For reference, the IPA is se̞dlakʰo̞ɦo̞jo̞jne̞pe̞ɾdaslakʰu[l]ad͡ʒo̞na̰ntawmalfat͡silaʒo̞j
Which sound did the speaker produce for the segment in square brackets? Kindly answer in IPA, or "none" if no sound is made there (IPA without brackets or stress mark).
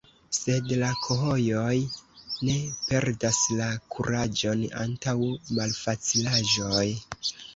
ɾ